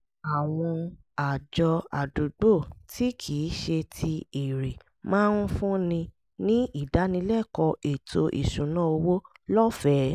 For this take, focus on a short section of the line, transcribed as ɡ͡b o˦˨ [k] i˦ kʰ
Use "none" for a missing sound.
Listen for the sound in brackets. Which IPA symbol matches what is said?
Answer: t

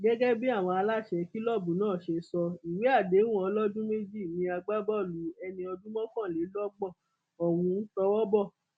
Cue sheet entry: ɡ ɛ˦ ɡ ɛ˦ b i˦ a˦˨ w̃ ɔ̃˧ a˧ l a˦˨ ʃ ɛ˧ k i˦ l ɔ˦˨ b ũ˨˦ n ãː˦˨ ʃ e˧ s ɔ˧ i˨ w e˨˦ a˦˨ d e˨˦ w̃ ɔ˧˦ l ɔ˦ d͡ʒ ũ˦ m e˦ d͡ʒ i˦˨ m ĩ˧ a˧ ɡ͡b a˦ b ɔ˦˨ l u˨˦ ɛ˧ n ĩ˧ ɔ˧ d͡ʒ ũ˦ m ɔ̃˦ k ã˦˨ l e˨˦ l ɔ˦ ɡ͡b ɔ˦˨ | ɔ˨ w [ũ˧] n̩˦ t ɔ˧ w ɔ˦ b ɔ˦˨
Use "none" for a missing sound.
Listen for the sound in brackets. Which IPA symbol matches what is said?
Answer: ũ˧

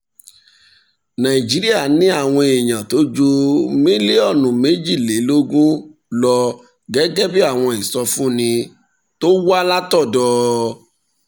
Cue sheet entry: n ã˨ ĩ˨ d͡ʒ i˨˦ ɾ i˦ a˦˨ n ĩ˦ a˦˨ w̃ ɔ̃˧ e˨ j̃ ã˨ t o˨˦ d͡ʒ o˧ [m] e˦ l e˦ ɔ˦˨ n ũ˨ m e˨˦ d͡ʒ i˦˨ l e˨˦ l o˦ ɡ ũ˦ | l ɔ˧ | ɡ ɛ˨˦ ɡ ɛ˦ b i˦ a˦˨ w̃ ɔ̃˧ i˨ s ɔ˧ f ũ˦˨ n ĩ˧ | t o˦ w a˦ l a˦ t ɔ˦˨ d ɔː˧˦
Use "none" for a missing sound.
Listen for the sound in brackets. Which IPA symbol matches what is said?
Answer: m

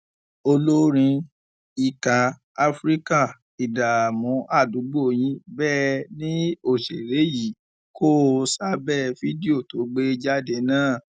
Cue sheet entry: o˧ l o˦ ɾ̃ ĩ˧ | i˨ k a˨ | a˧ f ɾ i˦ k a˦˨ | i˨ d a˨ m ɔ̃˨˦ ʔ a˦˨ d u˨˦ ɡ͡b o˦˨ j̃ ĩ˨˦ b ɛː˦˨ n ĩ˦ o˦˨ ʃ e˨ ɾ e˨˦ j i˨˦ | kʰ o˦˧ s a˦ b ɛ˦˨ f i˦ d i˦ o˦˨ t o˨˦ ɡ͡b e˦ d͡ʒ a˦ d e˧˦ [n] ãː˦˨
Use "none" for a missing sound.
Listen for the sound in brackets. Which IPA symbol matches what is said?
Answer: n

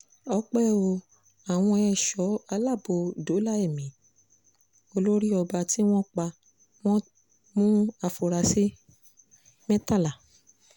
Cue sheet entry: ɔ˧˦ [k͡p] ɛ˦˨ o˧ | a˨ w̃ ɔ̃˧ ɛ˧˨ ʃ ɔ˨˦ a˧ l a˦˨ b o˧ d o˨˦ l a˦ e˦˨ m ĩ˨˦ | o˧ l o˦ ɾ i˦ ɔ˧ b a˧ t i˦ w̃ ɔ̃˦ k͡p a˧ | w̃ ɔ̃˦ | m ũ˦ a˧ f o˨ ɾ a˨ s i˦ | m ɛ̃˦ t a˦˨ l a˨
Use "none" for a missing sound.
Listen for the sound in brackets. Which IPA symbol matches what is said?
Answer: k͡p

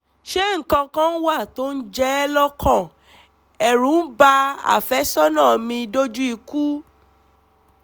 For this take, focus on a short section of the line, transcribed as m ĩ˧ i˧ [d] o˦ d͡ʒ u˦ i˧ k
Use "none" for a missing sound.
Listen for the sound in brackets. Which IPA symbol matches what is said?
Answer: d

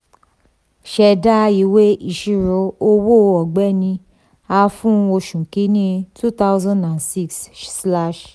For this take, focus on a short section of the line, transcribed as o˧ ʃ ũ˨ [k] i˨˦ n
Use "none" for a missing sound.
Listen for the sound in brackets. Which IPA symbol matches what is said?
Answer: k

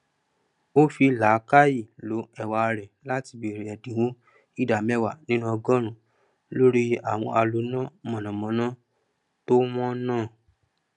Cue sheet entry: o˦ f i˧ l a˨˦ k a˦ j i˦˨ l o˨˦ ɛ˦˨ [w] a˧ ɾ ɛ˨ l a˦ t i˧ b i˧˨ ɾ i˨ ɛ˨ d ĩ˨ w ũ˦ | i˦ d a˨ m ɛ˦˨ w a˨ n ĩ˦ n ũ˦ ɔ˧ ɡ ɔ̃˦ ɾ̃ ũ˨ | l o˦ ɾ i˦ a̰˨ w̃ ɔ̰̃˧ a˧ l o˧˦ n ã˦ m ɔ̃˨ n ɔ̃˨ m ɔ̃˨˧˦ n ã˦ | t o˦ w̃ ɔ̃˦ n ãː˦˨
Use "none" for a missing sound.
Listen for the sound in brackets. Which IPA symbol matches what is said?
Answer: w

